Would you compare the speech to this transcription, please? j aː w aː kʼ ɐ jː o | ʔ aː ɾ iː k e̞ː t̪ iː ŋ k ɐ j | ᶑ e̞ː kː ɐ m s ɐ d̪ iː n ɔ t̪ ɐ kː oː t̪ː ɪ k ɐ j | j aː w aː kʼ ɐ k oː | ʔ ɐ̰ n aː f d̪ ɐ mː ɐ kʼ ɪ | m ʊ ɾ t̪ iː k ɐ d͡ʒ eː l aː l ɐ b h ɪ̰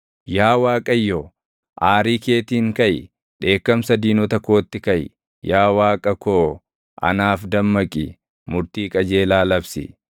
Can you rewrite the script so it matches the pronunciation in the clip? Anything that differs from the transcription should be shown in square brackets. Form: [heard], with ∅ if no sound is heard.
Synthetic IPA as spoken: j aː w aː kʼ ɐ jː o | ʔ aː ɾ iː k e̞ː t̪ iː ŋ k ɐ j | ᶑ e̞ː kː ɐ m s ɐ d̪ iː n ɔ t̪ ɐ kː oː t̪ː ɪ k ɐ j | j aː w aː kʼ ɐ k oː | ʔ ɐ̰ n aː f d̪ ɐ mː ɐ kʼ ɪ | m ʊ ɾ t̪ iː [kʼ] ɐ d͡ʒ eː l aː l ɐ b [s] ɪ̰